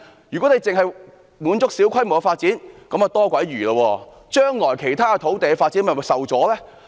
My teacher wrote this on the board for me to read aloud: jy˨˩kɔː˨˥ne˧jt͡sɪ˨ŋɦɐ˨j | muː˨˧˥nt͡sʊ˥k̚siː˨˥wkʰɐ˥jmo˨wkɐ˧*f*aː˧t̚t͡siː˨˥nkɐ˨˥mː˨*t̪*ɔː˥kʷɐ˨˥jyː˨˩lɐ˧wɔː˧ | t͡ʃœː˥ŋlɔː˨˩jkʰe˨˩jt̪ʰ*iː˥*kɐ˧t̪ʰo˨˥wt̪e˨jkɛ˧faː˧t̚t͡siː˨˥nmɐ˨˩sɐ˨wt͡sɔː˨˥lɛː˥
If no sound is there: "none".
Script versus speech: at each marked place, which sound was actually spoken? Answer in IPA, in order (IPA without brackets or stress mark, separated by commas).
f, t̪, aː˥